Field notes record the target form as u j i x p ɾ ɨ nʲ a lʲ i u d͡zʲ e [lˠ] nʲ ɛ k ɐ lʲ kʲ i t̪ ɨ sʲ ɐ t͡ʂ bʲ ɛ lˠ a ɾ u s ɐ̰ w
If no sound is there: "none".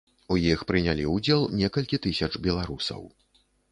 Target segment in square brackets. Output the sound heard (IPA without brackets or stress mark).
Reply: lˠ